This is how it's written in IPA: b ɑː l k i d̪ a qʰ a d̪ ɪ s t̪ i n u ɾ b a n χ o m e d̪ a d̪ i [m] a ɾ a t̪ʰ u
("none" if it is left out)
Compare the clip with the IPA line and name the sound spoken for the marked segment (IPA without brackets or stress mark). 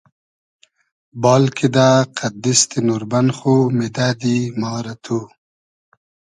m